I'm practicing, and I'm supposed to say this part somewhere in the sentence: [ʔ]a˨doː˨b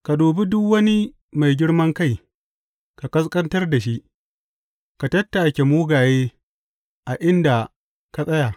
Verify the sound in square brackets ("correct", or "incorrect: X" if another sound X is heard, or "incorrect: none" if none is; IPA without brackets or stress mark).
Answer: incorrect: k